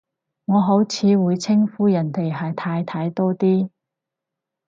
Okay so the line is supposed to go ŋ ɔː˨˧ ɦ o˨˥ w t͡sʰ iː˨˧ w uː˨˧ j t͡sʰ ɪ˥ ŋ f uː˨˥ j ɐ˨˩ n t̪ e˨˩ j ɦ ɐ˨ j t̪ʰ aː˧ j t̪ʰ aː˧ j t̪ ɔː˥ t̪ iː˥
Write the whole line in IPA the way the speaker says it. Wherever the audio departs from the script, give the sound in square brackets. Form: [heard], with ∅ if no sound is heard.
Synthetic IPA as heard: ŋ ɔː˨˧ ɦ o˨˥ w t͡sʰ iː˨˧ w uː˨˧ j t͡sʰ ɪ˥ ŋ f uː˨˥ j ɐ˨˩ n t̪ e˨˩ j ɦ ɐ˨ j t̪ʰ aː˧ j t̪ʰ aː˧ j t̪ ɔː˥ t̪ iː˥